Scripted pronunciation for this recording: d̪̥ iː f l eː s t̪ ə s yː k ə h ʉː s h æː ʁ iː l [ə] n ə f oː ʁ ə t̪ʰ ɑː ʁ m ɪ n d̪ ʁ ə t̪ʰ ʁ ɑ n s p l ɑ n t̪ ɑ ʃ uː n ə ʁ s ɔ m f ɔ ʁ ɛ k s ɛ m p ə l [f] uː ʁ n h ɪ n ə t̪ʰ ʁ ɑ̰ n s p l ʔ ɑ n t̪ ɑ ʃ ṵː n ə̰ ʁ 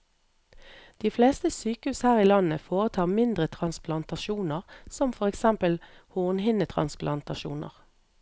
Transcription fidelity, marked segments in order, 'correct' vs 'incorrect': incorrect: ɑ, incorrect: h

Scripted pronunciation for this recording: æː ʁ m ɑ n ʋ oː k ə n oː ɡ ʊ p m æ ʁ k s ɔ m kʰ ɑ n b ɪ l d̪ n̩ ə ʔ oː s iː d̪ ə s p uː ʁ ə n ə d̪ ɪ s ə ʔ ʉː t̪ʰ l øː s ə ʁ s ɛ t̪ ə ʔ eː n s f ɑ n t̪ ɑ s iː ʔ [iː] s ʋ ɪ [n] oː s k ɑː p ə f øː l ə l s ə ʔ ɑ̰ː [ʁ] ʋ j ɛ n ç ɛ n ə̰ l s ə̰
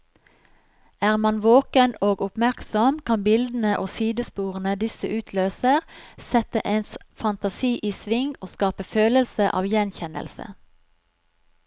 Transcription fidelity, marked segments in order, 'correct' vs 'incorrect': correct, incorrect: ŋ, incorrect: none

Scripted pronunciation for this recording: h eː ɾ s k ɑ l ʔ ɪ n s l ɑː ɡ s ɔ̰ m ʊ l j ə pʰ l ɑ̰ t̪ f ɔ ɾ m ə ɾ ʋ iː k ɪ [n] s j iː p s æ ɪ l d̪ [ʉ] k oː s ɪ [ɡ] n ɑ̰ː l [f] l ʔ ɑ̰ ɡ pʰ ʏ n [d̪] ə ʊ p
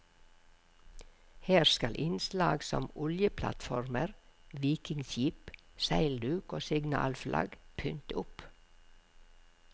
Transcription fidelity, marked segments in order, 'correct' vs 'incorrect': incorrect: ŋ, incorrect: ʉː, correct, correct, incorrect: t̪

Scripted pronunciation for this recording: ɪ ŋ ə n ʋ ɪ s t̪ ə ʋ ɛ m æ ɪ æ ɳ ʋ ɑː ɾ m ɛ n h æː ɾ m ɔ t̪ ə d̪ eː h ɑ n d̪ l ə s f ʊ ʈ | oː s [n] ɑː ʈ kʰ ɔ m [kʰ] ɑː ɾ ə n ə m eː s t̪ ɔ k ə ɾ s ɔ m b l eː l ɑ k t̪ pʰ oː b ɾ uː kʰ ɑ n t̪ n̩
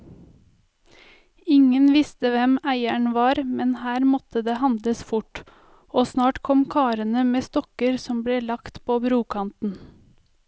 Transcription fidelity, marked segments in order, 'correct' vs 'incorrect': correct, correct

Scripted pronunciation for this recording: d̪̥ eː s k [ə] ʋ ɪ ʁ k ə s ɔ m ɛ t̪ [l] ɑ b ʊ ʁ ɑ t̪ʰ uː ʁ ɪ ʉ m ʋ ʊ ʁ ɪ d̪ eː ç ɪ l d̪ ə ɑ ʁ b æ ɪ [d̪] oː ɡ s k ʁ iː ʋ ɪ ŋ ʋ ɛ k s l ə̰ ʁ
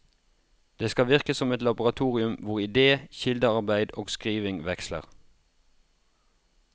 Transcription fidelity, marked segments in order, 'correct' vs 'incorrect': incorrect: ɑ, correct, correct

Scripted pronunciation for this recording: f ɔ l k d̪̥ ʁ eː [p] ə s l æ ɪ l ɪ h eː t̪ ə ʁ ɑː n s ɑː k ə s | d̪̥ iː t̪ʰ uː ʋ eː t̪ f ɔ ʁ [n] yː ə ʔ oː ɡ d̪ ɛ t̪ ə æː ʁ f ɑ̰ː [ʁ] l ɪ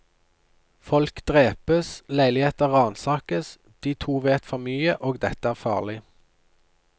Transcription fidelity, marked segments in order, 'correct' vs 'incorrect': correct, incorrect: m, correct

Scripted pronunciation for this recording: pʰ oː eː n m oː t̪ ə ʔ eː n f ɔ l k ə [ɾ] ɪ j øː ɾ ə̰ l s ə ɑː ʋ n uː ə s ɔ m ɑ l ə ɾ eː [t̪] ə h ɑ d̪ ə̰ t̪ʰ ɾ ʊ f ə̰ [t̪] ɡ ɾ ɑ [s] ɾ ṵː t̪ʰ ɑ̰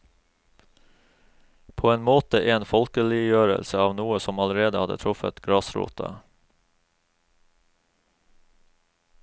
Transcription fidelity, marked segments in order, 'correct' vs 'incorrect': incorrect: l, incorrect: d̪, correct, correct

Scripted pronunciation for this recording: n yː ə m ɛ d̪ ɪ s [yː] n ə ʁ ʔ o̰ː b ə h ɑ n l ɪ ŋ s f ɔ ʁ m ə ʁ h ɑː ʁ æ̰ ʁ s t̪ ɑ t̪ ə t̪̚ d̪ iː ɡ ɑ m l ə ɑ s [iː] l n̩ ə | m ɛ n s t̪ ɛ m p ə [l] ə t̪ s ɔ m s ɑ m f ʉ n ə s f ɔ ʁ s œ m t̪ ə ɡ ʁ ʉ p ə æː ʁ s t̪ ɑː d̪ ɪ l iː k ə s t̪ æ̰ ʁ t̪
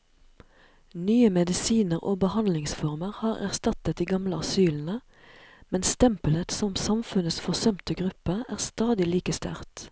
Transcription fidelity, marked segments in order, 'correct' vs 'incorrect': incorrect: iː, incorrect: yː, correct

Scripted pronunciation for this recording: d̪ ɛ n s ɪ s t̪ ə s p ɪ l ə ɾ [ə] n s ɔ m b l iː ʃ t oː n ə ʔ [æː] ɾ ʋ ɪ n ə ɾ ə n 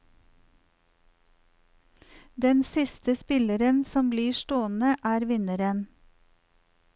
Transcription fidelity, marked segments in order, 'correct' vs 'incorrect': correct, correct

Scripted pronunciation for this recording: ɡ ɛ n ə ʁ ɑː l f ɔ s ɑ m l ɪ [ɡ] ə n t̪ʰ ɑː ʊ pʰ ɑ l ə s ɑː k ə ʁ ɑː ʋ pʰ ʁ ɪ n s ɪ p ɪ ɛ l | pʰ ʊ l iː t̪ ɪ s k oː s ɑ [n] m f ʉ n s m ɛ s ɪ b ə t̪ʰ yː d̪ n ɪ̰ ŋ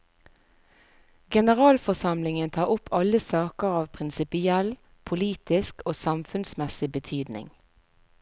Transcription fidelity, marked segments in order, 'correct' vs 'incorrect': incorrect: ŋ, incorrect: none

